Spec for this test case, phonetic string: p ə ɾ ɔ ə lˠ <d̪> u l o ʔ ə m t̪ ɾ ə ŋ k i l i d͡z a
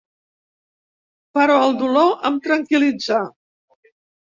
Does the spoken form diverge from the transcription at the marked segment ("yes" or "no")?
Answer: no